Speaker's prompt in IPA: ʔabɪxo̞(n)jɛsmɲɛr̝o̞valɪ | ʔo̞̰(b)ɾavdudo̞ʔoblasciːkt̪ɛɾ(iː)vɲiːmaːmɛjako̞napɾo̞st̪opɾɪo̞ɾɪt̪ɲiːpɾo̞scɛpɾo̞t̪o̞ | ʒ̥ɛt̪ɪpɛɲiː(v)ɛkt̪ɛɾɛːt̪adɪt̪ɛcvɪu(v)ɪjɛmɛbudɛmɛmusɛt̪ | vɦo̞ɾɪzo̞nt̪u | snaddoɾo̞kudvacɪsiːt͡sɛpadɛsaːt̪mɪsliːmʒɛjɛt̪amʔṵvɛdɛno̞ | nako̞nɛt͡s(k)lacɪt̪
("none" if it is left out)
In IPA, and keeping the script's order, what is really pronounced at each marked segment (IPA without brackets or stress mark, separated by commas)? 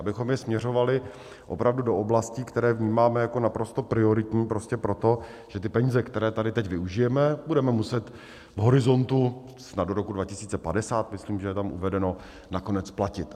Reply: m, p, ɛː, z, ʒ, p